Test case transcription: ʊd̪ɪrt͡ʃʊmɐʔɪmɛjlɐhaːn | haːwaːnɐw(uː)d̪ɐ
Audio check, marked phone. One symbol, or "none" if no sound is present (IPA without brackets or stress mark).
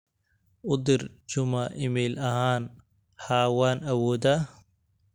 ɔː